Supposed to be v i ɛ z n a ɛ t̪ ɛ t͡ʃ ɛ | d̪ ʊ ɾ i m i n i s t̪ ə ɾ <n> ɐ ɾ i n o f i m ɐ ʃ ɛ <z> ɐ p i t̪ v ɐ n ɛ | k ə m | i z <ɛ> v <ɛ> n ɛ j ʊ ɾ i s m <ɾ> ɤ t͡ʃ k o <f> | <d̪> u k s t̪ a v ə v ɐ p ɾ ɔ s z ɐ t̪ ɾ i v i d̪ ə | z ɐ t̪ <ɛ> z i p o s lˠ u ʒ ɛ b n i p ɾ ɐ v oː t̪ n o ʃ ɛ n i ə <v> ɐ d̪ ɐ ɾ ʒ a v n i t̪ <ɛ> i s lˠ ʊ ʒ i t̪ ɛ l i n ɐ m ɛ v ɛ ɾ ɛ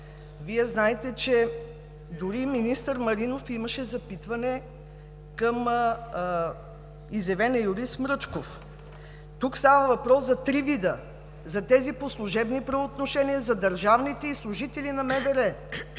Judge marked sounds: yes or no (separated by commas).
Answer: no, yes, yes, yes, yes, yes, no, yes, no, yes